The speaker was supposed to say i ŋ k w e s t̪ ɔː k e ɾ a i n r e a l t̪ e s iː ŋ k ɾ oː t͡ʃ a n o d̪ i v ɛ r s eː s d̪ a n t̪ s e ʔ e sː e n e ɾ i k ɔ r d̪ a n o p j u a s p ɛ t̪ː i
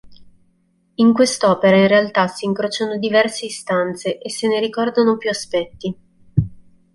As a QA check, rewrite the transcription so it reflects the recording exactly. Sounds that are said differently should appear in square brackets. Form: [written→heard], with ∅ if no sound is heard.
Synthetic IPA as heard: i ŋ k w e s t̪ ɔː [k→p] e ɾ a i n r e a l t̪ [e→a] s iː ŋ k ɾ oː t͡ʃ a n o d̪ i v ɛ r s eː s [d̪→t̪] a n t̪ s e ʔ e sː e n e ɾ i k ɔ r d̪ a n o p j u a s p ɛ t̪ː i